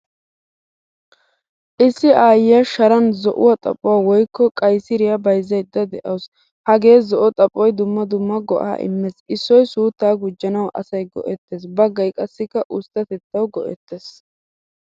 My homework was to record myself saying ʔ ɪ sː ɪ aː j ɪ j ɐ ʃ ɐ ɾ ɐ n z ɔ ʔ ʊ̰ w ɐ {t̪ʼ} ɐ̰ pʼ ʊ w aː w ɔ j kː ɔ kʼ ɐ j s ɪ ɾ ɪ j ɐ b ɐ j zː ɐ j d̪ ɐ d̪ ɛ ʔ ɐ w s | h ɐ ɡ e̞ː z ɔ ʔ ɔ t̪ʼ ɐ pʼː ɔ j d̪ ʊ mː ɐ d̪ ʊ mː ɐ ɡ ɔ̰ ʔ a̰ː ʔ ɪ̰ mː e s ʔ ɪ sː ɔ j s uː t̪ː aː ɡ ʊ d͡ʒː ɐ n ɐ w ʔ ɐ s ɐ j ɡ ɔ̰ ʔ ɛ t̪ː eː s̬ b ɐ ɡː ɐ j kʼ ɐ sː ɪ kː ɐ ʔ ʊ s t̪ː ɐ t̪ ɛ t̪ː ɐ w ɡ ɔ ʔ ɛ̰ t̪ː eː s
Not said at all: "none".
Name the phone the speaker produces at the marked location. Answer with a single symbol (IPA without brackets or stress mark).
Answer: t̪ʼ